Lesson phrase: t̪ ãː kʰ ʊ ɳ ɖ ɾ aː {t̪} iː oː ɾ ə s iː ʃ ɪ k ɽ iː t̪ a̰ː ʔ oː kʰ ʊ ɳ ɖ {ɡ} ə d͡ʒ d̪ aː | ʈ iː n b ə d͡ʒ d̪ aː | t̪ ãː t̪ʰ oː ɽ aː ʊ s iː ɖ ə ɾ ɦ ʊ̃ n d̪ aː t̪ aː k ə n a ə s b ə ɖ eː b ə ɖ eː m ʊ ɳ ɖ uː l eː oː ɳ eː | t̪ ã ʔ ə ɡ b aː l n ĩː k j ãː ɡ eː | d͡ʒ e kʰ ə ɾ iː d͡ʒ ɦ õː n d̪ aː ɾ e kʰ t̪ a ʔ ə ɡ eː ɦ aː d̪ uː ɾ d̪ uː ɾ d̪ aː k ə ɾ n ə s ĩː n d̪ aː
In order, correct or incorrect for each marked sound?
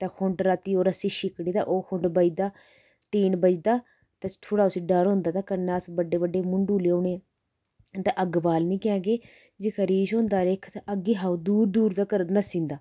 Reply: correct, incorrect: b

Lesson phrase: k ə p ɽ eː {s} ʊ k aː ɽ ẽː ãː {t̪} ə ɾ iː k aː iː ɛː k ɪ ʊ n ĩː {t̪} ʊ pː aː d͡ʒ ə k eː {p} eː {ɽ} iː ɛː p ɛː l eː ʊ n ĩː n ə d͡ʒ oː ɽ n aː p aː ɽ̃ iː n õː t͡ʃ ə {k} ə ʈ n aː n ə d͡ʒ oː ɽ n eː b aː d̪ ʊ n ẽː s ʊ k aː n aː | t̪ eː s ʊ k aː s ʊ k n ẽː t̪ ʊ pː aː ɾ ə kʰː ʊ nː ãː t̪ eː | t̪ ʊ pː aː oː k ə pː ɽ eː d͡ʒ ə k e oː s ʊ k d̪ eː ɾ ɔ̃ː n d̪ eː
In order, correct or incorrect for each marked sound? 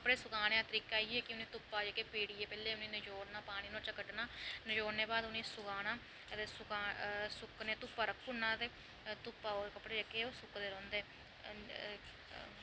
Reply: correct, correct, correct, correct, correct, correct

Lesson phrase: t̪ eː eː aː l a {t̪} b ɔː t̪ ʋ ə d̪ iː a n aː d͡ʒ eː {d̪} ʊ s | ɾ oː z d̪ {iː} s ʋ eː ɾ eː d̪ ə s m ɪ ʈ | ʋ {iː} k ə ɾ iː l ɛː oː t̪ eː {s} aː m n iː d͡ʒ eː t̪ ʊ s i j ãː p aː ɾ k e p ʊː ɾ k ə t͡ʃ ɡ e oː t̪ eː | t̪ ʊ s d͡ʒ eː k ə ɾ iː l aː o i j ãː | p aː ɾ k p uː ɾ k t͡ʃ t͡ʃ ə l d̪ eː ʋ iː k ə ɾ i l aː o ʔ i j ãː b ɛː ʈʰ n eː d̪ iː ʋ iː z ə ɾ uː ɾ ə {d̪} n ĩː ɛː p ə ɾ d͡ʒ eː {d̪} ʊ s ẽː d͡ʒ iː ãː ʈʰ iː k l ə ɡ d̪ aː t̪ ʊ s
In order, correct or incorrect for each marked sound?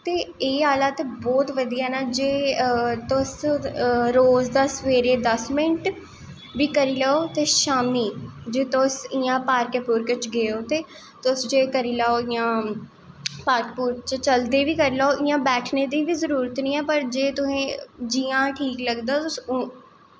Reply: correct, incorrect: t̪, incorrect: aː, correct, incorrect: ʃ, incorrect: t̪, incorrect: t̪

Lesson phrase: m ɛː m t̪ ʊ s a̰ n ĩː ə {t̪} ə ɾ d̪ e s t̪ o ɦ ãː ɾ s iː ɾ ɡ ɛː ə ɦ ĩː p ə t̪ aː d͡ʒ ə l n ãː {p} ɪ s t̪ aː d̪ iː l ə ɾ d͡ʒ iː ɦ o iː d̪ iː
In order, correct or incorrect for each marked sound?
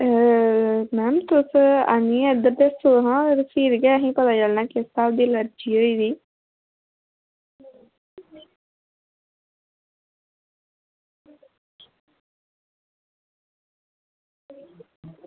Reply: incorrect: d̪, incorrect: k

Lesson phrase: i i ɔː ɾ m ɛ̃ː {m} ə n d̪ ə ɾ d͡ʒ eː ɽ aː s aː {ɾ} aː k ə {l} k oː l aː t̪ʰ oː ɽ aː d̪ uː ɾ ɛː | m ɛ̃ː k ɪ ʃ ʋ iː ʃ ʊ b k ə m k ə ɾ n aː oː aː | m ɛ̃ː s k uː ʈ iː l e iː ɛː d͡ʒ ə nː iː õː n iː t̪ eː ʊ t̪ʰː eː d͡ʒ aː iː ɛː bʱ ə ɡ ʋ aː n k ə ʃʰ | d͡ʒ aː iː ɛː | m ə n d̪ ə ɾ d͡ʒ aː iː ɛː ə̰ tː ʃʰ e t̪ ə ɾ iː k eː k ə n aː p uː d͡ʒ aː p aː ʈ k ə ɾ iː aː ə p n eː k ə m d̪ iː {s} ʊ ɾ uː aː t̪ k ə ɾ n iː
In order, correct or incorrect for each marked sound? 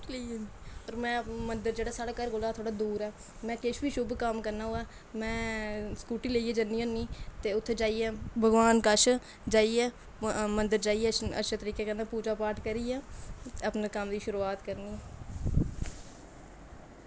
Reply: correct, incorrect: ɽ, incorrect: ɾ, incorrect: ʃ

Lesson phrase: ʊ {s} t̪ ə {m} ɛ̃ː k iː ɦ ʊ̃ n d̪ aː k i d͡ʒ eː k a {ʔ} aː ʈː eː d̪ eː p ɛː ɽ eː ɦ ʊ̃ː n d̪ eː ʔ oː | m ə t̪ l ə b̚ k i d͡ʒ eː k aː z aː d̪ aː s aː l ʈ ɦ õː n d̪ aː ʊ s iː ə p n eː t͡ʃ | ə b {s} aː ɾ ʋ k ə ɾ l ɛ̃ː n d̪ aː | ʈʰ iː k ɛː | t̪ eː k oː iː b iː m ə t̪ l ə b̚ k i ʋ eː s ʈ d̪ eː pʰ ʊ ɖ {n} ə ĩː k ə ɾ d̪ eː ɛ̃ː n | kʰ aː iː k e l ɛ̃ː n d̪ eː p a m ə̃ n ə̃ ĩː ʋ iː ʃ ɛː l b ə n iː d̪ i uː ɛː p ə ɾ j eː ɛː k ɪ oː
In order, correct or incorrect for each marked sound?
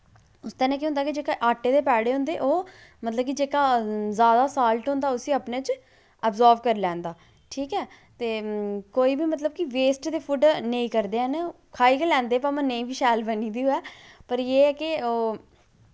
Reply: correct, incorrect: n, correct, incorrect: z, correct

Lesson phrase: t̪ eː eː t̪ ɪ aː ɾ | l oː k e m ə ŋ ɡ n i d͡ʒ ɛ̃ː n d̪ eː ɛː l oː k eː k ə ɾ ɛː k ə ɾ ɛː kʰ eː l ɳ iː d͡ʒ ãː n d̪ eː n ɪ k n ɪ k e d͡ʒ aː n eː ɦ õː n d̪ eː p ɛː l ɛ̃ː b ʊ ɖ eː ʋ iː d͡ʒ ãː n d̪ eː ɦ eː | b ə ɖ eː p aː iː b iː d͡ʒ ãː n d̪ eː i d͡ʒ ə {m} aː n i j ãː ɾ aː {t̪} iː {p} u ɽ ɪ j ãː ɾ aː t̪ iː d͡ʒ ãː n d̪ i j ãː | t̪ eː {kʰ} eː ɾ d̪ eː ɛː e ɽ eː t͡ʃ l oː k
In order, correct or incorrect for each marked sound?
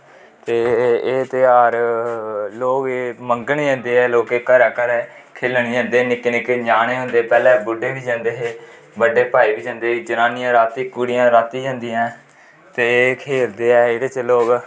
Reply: incorrect: n, correct, incorrect: k, correct

